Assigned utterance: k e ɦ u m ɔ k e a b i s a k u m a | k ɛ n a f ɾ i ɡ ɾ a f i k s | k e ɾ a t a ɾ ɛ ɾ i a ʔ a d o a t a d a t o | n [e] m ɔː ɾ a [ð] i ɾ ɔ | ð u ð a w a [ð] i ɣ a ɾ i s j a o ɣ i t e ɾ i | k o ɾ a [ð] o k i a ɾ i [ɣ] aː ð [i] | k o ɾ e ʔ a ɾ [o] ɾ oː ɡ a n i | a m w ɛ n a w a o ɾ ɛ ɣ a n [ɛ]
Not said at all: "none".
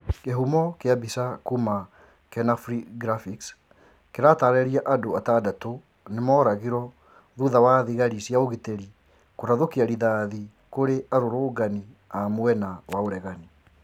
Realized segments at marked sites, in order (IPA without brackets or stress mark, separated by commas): e, ɣ, ð, ð, ð, i, o, i